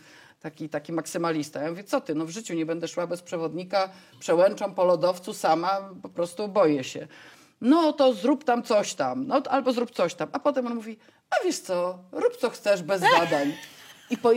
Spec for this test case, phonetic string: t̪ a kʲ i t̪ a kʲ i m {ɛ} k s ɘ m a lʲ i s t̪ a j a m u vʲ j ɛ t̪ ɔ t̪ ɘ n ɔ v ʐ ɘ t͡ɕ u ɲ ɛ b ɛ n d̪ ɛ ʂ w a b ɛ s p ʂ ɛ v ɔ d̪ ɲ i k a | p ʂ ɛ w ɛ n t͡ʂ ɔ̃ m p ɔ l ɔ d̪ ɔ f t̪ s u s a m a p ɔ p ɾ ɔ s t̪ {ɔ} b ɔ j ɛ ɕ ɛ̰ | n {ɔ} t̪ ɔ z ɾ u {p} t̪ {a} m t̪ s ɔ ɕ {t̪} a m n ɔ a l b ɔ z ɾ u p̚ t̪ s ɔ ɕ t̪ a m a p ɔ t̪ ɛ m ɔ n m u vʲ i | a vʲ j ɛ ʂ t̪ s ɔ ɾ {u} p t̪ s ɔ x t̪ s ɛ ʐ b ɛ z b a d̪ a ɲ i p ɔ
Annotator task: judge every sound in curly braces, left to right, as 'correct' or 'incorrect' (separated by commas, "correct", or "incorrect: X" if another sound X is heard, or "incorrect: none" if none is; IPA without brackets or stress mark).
incorrect: a, incorrect: u, correct, correct, correct, correct, correct